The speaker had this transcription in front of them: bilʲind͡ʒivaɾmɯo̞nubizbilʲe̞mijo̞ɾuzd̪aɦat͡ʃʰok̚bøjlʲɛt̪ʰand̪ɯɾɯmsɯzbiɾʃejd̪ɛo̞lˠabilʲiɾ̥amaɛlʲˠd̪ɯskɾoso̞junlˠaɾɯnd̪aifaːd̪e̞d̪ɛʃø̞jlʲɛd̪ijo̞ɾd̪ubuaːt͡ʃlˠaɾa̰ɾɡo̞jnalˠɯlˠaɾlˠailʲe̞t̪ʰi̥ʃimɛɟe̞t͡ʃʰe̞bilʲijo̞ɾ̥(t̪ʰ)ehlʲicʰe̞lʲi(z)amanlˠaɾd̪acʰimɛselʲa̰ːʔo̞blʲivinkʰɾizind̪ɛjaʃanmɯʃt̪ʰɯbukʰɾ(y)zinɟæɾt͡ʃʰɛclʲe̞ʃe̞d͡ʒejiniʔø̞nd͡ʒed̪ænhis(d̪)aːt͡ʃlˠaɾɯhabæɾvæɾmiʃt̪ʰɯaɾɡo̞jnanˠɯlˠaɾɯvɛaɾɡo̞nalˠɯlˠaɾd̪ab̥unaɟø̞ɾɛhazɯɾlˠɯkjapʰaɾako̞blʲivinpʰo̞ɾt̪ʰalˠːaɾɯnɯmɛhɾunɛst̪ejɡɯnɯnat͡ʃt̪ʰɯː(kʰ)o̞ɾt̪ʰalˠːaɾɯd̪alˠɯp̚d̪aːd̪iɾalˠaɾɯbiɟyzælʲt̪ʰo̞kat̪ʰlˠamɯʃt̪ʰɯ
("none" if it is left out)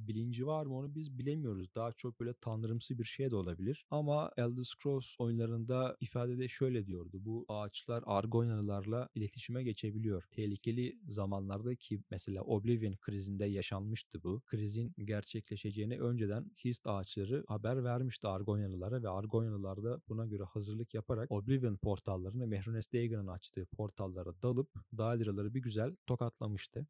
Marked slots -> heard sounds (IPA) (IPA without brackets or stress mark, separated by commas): t̪ʰ, z, i, t̪, pʰ